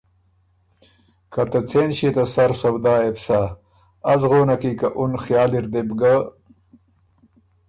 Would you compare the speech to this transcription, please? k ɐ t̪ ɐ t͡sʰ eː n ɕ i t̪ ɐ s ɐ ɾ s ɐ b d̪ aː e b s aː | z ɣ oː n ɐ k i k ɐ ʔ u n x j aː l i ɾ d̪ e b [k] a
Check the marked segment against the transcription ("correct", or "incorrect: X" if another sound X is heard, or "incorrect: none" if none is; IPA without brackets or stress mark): incorrect: ɡ